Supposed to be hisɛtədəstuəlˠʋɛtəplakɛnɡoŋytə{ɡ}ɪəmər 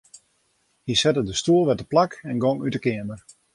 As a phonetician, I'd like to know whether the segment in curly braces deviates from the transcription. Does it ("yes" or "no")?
yes